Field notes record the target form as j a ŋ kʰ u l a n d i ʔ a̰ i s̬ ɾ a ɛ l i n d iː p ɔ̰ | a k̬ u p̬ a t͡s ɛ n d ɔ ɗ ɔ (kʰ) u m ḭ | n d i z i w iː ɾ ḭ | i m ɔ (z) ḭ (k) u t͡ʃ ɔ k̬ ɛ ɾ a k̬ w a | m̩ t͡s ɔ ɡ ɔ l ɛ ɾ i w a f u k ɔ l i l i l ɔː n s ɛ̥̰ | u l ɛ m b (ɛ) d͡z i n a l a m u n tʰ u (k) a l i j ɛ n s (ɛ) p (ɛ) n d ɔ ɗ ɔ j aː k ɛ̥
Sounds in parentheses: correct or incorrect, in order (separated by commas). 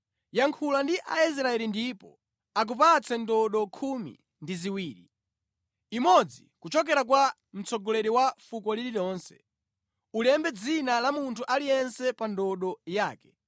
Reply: correct, incorrect, correct, correct, incorrect, correct, incorrect